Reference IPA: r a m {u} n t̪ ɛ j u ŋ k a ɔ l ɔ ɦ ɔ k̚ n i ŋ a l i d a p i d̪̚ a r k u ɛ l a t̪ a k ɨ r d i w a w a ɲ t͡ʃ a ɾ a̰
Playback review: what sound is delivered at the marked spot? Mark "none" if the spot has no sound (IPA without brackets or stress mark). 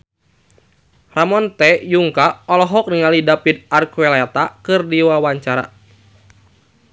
ɔ